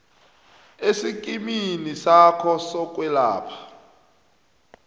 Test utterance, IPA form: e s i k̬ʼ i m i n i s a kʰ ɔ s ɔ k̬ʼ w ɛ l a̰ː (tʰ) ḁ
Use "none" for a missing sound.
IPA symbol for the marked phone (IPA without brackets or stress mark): pʰ